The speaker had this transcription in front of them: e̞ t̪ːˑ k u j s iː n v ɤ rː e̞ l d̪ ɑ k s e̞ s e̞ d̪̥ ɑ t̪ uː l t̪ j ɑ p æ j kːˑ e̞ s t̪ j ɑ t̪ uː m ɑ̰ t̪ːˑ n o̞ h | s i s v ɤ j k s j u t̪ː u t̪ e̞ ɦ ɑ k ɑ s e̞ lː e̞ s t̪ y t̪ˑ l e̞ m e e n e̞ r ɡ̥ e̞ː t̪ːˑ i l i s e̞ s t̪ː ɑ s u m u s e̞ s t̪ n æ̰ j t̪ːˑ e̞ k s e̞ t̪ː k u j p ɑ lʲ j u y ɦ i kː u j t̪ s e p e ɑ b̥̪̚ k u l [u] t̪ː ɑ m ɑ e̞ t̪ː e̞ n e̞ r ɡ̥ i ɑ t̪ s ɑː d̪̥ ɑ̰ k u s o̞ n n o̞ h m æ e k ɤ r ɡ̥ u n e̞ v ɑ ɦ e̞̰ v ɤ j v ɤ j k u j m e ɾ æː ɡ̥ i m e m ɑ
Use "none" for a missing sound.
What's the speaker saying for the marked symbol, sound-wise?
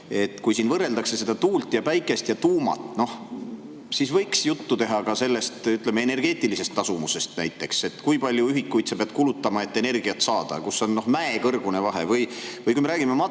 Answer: u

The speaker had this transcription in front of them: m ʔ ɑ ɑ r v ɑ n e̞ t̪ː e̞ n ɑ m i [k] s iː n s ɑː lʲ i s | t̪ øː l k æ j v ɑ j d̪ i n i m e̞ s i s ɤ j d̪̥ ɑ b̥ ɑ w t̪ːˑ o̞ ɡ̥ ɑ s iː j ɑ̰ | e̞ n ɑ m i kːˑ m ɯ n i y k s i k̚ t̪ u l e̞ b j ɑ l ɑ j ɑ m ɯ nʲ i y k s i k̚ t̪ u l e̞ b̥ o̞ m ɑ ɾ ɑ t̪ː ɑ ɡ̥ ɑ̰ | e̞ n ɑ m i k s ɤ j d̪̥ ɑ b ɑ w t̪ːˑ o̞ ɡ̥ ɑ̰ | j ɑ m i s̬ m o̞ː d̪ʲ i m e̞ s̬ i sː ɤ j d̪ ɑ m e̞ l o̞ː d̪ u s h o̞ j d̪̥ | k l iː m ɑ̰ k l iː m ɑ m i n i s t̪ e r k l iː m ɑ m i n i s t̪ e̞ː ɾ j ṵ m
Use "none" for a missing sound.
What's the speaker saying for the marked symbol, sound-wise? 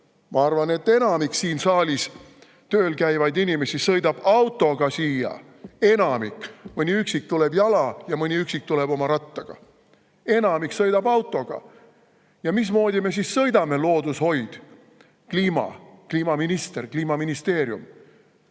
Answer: k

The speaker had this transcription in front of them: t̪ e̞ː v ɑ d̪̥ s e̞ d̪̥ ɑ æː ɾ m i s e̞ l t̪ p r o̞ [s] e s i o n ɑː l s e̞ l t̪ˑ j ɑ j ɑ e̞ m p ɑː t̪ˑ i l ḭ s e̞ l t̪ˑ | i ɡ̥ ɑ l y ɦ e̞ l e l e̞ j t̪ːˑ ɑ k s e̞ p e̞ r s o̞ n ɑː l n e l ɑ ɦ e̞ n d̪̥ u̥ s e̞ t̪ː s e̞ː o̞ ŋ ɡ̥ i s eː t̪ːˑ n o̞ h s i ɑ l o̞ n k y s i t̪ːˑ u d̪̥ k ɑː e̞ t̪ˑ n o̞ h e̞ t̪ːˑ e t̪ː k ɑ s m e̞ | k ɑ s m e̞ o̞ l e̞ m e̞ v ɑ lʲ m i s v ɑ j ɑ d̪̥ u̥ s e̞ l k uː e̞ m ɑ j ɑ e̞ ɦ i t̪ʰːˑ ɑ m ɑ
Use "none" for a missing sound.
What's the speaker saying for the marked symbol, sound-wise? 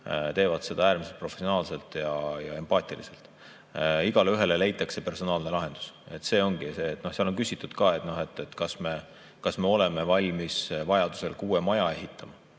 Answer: f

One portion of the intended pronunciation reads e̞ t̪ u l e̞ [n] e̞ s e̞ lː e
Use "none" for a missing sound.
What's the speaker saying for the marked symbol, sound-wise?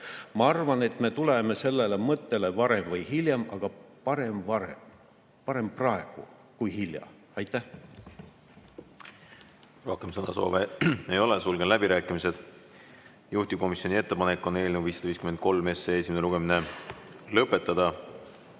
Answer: m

